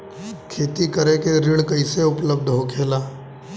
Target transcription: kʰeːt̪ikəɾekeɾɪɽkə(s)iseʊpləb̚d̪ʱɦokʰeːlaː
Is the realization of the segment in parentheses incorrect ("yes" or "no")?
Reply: yes